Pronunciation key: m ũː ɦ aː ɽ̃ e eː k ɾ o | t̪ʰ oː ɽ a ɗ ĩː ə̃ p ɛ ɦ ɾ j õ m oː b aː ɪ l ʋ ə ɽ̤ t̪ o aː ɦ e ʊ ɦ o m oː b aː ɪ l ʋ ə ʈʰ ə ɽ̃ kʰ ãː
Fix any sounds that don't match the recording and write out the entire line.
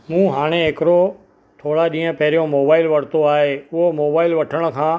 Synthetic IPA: m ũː ɦ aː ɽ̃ e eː k ɾ o | t̪ʰ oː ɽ a ɗ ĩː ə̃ p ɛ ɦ ɾ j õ m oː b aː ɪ l ʋ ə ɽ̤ t̪ o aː ɦ e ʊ ɦ o m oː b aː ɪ l ʋ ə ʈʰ ə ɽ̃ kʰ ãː